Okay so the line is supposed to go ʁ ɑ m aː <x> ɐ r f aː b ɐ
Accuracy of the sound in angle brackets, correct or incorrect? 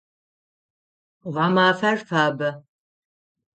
incorrect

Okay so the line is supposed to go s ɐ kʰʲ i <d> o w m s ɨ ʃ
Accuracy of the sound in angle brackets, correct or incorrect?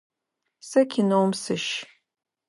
incorrect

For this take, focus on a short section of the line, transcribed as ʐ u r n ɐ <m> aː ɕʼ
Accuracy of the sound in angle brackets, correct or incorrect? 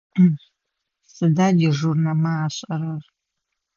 correct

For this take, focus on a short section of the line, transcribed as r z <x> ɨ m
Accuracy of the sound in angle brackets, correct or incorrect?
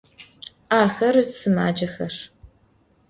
incorrect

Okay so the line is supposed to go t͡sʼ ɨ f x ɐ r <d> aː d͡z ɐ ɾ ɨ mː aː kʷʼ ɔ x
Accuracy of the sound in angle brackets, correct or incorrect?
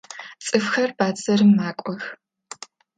incorrect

